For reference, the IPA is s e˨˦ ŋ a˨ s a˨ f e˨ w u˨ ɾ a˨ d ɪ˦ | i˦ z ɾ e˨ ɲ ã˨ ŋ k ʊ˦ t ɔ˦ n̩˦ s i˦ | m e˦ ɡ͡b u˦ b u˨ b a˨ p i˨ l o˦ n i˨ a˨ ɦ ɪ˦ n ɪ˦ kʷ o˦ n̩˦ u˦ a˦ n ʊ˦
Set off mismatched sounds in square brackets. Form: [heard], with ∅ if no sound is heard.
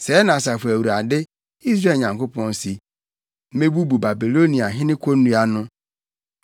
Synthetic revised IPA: s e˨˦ [n] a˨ s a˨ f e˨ w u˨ ɾ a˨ d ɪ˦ | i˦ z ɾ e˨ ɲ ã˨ ŋ k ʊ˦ [p] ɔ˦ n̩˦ s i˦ | m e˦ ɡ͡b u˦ b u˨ b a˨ [b] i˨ l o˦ n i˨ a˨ ɦ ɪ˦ n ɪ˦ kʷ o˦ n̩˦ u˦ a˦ n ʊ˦

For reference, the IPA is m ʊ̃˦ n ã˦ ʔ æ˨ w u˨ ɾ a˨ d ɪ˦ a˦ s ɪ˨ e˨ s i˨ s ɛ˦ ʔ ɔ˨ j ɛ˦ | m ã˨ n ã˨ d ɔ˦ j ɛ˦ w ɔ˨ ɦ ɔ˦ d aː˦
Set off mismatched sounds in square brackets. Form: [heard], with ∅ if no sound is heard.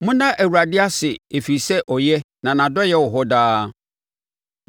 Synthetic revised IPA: m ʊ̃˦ n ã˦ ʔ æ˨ w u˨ ɾ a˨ d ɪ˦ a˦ s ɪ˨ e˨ [f] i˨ s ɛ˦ ʔ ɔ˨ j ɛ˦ | [n] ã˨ n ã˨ d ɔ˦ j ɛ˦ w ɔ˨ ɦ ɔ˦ d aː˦

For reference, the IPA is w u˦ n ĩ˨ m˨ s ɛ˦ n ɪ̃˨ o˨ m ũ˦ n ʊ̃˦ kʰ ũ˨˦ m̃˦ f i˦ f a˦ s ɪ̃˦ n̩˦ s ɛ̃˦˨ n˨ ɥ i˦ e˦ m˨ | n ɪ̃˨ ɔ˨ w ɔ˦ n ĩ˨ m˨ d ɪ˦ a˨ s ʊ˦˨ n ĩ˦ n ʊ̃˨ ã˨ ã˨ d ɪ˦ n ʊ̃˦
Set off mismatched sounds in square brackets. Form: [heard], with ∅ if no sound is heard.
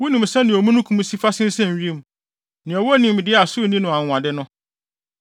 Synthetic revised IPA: w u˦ n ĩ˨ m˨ s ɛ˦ n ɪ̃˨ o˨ m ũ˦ n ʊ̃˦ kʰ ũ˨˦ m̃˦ [s] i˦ f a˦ s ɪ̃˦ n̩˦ s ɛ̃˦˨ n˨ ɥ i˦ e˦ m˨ | n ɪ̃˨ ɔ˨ w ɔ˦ n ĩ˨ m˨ d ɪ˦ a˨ s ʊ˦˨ n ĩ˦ n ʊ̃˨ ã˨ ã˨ d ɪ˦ n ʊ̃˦

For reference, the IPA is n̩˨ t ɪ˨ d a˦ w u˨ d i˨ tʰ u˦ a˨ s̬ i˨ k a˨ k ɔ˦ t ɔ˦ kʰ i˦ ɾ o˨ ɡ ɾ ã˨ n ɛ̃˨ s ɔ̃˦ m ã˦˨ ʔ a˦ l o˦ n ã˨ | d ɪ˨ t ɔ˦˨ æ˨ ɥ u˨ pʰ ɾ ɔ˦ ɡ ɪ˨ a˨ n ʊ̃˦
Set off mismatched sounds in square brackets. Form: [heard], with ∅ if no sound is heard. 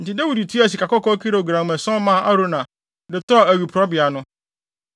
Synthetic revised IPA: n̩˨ t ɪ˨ d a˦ w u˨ d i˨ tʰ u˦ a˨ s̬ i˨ k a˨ k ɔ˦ [k] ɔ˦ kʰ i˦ ɾ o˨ ɡ ɾ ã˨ [m] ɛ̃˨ s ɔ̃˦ m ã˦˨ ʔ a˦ [ɾ] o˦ n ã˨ | d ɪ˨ t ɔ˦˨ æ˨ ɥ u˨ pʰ ɾ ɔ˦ [b] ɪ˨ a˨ n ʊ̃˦

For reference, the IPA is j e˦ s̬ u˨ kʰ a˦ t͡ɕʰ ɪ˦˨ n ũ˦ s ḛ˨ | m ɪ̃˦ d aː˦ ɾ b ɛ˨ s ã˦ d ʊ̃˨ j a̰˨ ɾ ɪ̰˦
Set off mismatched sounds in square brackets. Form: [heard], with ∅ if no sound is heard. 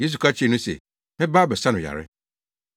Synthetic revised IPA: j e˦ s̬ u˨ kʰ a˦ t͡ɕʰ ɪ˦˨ n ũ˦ s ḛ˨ | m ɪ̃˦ [b] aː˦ [∅] b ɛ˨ s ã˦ [n] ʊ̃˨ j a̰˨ ɾ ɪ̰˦

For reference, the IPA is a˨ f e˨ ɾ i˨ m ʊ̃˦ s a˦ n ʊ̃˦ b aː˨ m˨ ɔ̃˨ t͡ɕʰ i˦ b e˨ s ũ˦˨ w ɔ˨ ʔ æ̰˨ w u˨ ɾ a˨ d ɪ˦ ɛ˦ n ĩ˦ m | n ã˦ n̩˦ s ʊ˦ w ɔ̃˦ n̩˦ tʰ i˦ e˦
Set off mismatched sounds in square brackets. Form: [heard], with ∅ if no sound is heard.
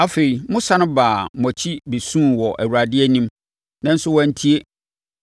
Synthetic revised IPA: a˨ f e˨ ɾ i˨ m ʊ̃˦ s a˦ n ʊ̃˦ b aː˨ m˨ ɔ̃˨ t͡ɕʰ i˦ b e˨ s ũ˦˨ w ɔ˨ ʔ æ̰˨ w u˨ ɾ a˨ d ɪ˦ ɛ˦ n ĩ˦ m | n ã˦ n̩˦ s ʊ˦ w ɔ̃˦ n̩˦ tʰ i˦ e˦

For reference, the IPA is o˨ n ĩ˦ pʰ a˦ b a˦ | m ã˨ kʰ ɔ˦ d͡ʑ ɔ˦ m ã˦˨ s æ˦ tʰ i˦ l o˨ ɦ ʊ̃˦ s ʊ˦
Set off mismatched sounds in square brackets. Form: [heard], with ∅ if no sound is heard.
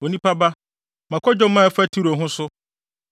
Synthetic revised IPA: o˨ n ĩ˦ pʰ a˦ b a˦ | m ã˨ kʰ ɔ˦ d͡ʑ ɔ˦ m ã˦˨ [f] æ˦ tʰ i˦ [ɾ] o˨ ɦ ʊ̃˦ s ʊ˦

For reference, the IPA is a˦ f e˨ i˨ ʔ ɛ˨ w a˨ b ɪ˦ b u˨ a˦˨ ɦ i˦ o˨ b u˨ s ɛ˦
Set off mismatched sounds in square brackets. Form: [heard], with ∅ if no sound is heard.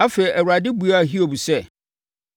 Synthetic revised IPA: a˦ f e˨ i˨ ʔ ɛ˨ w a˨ [d] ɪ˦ b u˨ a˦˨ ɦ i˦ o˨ b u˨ s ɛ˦

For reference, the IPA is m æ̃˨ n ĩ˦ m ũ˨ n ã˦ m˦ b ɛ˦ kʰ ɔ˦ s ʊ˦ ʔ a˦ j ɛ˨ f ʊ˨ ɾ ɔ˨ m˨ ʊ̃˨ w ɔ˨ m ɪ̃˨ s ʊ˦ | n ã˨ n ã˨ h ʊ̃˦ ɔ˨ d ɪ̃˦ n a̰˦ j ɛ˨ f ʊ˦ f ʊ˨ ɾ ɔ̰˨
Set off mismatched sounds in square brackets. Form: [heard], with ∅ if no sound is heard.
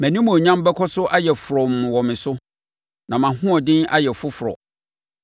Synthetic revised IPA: m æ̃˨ n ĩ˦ m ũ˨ [ɲ] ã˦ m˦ b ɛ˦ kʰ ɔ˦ s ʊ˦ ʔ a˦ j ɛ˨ f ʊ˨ ɾ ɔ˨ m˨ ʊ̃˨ w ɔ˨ m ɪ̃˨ s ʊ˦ | n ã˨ [m] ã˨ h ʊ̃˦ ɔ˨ d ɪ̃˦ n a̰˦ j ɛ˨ f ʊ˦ f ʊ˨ ɾ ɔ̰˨

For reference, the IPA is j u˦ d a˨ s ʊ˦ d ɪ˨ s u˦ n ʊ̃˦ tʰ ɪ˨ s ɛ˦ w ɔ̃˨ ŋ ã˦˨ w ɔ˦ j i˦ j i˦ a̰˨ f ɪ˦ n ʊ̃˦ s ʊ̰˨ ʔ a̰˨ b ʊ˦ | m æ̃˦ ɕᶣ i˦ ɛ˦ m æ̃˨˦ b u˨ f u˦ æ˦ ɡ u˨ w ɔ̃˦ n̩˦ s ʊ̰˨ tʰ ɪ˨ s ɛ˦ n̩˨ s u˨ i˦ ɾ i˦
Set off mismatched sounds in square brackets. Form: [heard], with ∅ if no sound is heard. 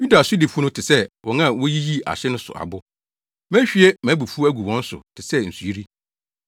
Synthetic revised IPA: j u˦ d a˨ s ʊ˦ d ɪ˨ [f] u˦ n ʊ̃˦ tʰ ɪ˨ s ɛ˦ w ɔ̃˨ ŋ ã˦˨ w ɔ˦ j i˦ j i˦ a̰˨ [ɕ] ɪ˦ n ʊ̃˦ s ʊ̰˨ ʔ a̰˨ b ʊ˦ | m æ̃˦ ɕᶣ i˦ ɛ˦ m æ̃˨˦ b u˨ f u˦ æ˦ ɡ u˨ w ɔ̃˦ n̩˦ s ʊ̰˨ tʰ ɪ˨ s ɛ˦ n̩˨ s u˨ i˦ ɾ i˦

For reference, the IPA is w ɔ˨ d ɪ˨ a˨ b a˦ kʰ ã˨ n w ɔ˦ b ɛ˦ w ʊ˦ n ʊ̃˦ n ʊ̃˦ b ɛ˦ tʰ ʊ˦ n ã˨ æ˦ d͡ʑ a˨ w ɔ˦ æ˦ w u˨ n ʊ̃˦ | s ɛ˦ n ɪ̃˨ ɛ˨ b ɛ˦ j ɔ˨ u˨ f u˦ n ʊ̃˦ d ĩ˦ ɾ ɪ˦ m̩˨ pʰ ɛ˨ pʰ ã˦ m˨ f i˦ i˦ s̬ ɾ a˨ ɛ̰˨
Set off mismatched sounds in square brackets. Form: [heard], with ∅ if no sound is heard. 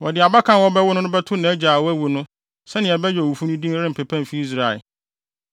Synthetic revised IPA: w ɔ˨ d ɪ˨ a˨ b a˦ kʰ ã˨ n w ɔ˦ b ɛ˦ w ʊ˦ n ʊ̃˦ n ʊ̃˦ b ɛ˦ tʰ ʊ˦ n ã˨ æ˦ d͡ʑ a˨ w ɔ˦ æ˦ w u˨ n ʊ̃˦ | s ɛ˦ n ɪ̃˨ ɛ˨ b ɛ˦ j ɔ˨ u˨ f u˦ n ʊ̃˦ d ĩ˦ ɾ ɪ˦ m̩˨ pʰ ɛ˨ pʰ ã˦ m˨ f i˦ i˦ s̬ ɾ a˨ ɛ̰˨

